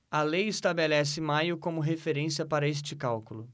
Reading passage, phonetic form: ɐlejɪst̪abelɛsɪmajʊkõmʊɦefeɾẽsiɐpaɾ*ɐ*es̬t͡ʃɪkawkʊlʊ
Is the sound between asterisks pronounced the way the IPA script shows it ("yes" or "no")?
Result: yes